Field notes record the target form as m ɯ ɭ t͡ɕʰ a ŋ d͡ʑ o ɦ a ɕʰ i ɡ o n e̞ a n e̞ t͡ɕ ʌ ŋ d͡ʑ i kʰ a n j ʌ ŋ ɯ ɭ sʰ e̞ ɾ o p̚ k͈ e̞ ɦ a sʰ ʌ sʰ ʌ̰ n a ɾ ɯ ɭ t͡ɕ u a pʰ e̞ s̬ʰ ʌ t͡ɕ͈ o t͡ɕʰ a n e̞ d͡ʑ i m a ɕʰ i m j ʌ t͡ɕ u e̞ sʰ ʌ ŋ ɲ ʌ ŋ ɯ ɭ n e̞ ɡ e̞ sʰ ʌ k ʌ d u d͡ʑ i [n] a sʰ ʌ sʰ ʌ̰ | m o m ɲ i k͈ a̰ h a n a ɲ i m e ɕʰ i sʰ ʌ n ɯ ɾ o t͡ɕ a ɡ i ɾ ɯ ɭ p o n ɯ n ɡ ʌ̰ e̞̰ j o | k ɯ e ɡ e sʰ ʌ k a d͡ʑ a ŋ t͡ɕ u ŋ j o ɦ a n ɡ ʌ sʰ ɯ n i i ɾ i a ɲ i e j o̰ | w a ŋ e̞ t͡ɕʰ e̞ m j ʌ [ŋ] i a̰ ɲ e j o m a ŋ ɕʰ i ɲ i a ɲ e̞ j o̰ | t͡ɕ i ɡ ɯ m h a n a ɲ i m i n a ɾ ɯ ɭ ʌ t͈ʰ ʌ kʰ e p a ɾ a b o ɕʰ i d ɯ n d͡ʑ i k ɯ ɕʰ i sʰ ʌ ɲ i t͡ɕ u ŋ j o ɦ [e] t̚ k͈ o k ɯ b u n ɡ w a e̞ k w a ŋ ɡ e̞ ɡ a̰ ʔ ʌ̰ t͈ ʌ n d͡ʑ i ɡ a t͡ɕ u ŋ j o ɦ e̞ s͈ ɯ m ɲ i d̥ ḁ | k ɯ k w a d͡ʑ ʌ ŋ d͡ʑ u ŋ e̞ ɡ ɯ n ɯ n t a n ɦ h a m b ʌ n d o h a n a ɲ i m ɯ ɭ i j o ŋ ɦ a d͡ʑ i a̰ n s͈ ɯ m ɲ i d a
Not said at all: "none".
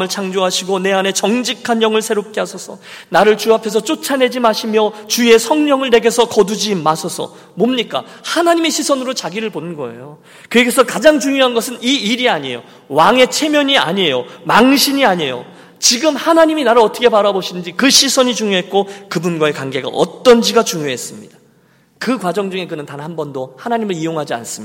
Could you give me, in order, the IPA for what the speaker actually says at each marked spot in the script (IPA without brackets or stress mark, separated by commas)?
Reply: m, ɲ, e